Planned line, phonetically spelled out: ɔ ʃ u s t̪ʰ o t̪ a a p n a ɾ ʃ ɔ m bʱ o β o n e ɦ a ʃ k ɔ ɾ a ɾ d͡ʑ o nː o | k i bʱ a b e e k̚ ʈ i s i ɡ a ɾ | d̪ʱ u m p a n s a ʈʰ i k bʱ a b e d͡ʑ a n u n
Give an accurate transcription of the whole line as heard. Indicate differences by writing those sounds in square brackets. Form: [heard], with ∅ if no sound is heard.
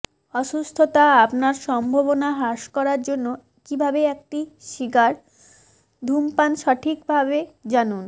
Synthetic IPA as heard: ɔ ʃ u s t̪ʰ o t̪ a a p n a ɾ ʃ ɔ m bʱ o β o n [a] ɦ a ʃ k ɔ ɾ a ɾ d͡ʑ o nː o | k i bʱ a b e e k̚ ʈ i [ʃ] i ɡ a ɾ | d̪ʱ u m p a n [ʃ] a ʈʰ i k bʱ a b e d͡ʑ a n u n